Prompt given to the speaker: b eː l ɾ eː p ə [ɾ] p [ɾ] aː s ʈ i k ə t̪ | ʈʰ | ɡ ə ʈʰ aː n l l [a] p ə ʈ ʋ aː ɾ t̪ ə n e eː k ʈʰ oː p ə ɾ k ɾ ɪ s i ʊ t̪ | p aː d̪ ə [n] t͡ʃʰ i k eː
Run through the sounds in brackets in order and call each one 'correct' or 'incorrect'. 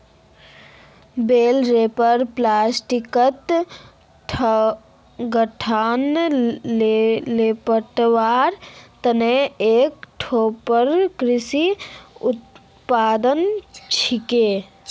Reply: correct, incorrect: l, incorrect: e, correct

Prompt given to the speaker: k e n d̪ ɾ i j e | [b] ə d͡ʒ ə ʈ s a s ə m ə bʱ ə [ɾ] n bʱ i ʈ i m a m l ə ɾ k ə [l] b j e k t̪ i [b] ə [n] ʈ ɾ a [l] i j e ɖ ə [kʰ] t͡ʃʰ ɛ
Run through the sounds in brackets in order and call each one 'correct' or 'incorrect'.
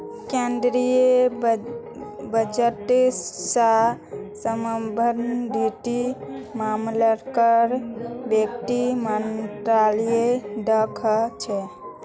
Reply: correct, correct, incorrect: ɾ, incorrect: m, correct, correct, correct

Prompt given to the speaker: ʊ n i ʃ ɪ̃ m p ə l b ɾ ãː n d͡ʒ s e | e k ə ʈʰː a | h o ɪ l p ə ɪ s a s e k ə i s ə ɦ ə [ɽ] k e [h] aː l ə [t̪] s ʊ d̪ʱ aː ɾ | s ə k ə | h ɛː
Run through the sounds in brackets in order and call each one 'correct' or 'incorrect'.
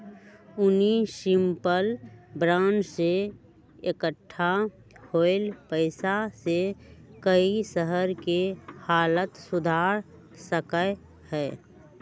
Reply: incorrect: ɾ, correct, correct

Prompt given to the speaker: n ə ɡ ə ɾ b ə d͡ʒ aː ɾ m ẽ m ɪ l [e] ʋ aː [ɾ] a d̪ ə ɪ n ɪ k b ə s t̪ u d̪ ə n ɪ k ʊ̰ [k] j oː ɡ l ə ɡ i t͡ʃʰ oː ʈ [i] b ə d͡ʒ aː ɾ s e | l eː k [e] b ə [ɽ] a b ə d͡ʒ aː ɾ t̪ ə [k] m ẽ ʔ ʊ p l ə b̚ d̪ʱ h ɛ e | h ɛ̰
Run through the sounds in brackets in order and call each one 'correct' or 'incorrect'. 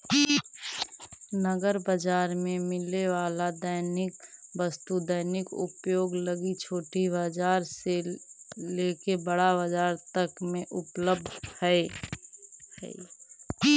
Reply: correct, incorrect: l, incorrect: p, correct, correct, correct, correct

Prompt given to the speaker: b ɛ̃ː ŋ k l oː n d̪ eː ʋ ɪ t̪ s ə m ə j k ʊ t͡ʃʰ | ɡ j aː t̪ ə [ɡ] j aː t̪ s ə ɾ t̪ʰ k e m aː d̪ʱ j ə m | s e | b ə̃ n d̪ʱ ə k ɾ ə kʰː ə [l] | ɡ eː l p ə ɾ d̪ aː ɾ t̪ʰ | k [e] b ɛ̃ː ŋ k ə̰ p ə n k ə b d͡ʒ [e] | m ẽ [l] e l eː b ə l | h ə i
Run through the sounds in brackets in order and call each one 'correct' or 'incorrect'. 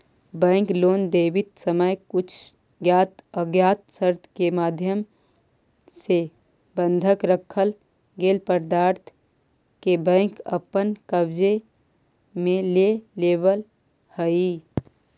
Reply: correct, correct, correct, correct, correct

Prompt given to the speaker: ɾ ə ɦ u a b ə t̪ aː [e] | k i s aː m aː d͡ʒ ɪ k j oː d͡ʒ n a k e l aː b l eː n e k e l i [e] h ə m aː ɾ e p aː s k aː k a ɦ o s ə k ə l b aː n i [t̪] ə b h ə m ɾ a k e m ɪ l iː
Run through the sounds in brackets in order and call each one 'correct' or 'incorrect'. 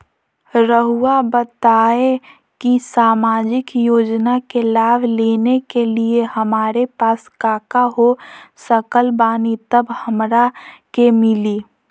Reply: correct, correct, correct

